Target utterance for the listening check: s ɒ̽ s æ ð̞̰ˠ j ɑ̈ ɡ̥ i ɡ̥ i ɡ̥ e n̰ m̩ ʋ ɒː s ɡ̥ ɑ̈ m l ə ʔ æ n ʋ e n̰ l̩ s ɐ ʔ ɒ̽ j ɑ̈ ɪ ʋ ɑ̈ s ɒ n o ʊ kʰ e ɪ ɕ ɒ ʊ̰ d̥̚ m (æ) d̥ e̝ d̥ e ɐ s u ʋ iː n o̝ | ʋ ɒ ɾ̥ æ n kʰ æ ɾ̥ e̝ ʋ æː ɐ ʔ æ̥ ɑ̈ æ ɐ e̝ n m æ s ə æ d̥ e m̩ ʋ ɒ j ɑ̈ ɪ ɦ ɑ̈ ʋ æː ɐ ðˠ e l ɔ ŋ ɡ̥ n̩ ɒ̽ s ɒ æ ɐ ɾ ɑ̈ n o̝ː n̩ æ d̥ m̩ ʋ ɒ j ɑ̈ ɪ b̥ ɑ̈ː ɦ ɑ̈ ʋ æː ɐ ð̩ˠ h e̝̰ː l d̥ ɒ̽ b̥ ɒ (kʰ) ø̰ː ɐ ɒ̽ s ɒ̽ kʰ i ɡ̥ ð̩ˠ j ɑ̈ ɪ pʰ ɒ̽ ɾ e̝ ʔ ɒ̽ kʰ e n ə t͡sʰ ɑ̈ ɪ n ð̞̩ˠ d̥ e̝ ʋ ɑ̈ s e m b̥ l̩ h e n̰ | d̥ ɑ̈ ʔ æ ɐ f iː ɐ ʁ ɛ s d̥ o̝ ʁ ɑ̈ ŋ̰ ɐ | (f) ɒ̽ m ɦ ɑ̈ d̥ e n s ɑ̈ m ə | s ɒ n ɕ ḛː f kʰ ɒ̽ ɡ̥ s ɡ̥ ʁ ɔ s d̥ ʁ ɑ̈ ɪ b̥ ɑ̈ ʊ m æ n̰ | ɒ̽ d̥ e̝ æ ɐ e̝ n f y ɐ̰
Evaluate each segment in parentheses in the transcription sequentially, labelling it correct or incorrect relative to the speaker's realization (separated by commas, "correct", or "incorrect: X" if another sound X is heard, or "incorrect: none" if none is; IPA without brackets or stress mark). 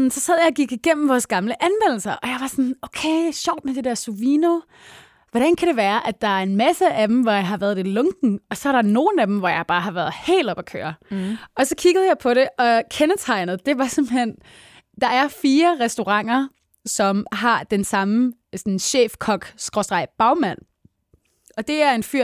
incorrect: e, correct, incorrect: s